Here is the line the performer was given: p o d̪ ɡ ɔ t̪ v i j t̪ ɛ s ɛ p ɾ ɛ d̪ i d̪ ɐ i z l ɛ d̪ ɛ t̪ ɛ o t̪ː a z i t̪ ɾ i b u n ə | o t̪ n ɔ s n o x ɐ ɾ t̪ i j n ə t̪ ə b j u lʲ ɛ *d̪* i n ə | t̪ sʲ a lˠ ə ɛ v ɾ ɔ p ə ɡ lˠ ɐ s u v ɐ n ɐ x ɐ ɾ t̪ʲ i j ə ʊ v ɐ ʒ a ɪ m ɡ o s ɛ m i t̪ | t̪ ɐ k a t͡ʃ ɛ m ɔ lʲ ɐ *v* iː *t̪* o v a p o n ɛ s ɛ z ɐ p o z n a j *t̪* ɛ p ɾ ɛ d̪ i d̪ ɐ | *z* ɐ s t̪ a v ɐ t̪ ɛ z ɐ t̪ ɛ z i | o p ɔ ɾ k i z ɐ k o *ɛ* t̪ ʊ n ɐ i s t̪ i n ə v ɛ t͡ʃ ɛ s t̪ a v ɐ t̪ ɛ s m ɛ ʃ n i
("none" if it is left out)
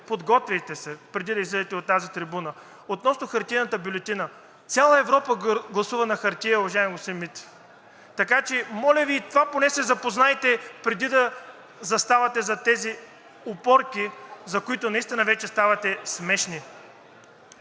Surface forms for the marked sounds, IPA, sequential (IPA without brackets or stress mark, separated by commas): t̪, v, t̪, t̪, z, i